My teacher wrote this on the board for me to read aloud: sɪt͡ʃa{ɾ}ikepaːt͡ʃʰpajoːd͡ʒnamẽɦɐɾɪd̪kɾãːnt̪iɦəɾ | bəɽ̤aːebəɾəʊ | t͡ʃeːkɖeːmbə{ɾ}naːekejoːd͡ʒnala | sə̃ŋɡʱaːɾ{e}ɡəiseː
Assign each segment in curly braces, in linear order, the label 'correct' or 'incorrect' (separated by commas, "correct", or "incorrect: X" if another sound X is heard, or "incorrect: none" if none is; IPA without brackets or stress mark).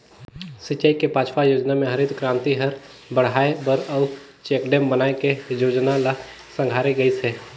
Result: incorrect: none, incorrect: none, correct